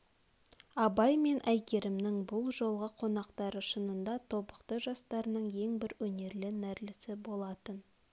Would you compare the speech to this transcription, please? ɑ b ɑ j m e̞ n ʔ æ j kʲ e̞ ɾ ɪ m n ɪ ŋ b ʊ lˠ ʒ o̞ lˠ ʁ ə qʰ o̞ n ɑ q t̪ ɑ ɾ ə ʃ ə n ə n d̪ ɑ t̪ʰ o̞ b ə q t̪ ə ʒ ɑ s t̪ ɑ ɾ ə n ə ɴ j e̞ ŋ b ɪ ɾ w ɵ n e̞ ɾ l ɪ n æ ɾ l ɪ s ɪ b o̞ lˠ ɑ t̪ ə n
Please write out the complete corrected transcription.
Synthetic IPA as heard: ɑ b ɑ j m e̞ n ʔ æ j kʲ e̞ ɾ ɪ m n ɪ ŋ b ʊ lˠ ʒ o̞ lˠ ʁ ə qʰ o̞ n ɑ q t̪ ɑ ɾ ə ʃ ə n ə n d̪ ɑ t̪ʰ o̞ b ə q t̪ ə ʒ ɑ s t̪ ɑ ɾ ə n ə ɴ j e̞ ŋ b ɪ ɾ w ɵ n e̞ ɾ l ɪ n æ ɾ l ɪ s ɪ b o̞ lˠ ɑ t̪ ə n

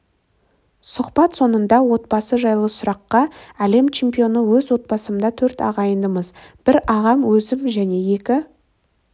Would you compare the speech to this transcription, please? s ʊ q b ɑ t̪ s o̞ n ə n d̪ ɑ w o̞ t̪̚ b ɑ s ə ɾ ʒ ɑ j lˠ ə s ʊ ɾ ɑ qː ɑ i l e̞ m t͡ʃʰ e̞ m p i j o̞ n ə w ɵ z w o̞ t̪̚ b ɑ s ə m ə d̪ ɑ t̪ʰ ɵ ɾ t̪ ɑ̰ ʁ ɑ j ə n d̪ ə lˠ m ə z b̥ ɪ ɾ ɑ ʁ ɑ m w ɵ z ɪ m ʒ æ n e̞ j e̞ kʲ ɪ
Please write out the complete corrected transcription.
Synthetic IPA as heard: s ʊ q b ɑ t̪ s o̞ n ə n d̪ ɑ w o̞ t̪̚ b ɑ s ə ʒ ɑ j lˠ ə s ʊ ɾ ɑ qː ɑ æ l e̞ m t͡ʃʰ e̞ m p i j o̞ n ə w ɵ z w o̞ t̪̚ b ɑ s ə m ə d̪ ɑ t̪ʰ ɵ ɾ t̪ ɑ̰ ʁ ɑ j ə n d̪ ə m ə z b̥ ɪ ɾ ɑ ʁ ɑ m w ɵ z ɪ m ʒ æ n e̞ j e̞ kʲ ɪ

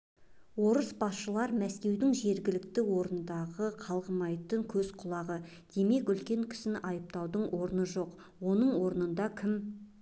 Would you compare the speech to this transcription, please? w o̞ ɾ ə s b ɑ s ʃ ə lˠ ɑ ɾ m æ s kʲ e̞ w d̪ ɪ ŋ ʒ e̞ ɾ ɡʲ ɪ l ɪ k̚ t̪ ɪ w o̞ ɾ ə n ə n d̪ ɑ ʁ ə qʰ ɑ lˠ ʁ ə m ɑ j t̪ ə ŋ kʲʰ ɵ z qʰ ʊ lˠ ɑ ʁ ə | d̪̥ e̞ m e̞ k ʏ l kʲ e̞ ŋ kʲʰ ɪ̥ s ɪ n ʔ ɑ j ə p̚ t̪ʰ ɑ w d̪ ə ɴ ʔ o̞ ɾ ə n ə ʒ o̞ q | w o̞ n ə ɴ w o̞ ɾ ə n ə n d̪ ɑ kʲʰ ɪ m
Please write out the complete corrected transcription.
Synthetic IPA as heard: w o̞ ɾ ə s b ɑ s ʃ ə lˠ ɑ ɾ m æ s kʲ e̞ w d̪ ɪ ŋ ʒ e̞ ɾ ɡʲ ɪ l ɪ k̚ t̪ ɪ w o̞ ɾ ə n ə n d̪ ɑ ʁ ə qʰ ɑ lˠ ʁ ə m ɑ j t̪ ə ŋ kʲʰ ɵ z qʰ ʊ lˠ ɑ ʁ ə | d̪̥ e̞ m e̞ k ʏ l kʲ e̞ ŋ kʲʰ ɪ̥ s ɪ n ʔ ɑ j ə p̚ t̪ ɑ w d̪ ə ɴ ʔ o̞ ɾ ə n ə ʒ o̞ q | w o̞ n ə ɴ w o̞ ɾ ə n ə n d̪ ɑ kʲʰ ɪ m

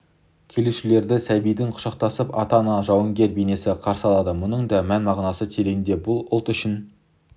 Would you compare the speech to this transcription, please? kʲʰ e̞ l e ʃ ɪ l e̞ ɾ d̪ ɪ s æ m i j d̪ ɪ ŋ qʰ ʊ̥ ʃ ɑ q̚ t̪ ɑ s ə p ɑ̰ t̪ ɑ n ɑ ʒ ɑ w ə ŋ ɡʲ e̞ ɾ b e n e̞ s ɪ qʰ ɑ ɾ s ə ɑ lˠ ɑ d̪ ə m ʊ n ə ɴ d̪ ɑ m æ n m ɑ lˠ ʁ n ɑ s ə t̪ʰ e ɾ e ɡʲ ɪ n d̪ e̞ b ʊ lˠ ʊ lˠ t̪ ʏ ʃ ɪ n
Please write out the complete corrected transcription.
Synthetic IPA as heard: kʲʰ e̞ l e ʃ ɪ l e̞ ɾ d̪ ɪ s æ b i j d̪ ɪ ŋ qʰ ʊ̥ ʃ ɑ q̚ t̪ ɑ s ə p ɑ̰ t̪ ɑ n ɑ ʒ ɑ w ə ŋ ɡʲ e̞ ɾ b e n e̞ s ɪ qʰ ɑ ɾ s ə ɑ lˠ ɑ d̪ ə m ʊ n ə ɴ d̪ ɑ m æ n m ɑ ʁ n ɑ s ə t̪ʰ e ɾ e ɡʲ ɪ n d̪ e̞ b ʊ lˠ ʊ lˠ t̪ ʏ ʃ ɪ n

